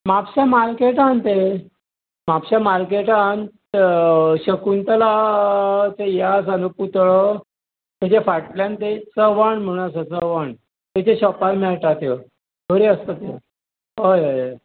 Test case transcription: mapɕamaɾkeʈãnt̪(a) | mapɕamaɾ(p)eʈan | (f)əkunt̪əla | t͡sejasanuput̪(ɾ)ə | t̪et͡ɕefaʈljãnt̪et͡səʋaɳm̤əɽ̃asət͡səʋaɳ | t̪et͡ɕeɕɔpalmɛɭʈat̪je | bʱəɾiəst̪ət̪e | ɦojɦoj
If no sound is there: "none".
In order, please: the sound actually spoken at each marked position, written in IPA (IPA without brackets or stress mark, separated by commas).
e, k, ɕ, ɭ